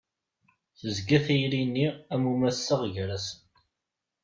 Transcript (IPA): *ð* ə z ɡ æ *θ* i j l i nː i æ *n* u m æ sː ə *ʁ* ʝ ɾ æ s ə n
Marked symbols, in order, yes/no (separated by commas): no, yes, no, yes